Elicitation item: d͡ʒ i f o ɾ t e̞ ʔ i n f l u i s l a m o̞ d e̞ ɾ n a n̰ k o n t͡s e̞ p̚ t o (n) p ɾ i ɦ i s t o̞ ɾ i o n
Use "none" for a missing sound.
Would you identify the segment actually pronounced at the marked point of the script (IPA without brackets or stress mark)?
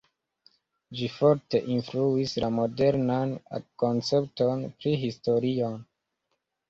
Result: n